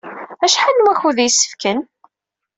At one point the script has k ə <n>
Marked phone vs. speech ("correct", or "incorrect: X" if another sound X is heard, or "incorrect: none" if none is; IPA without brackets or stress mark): correct